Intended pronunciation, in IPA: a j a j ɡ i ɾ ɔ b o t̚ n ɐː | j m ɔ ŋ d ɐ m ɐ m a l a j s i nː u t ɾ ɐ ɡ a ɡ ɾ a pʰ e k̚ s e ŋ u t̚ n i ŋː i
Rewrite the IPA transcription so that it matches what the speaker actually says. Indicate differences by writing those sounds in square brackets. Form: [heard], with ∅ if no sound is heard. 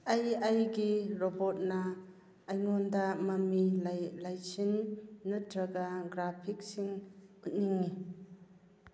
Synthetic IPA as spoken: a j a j ɡ i ɾ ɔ b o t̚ n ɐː | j [ŋ] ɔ [n] d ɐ m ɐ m [i] l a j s i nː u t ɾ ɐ ɡ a ɡ ɾ a pʰ [i] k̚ s [i] ŋ u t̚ n i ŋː i